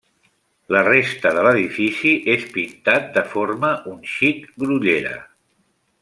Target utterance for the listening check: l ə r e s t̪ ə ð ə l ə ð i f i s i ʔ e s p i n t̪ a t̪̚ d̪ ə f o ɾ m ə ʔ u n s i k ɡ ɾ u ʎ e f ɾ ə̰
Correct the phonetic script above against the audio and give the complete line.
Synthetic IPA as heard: l ə r e s t̪ ə ð ə l ə ð i f i s i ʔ e s p i n t̪ a t̪̚ d̪ ə f o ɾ m ə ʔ u n ʃ i k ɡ ɾ u ʎ e ɾ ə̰